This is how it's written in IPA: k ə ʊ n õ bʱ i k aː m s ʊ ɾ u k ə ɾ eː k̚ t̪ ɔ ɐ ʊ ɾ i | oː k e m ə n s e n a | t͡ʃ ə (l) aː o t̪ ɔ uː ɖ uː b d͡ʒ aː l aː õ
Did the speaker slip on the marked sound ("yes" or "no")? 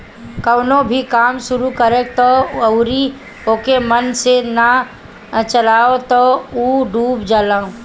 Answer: no